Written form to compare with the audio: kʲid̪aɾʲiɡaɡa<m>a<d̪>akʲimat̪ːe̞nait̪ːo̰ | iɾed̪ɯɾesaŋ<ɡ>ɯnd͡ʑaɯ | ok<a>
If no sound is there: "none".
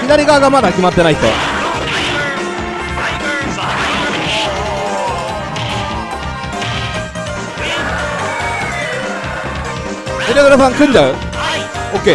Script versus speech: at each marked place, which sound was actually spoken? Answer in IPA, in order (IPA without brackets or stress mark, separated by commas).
m, d̪, k, e